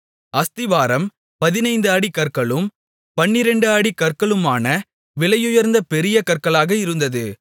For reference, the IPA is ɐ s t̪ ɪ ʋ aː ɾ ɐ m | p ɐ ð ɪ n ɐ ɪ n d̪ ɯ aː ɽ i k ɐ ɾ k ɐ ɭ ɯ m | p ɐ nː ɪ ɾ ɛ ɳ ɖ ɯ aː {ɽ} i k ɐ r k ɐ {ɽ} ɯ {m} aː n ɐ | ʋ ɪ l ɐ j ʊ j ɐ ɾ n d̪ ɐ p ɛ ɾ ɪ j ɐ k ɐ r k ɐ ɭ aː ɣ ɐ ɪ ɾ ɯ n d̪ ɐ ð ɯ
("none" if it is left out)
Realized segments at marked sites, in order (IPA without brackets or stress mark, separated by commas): ɽ, ɭ, m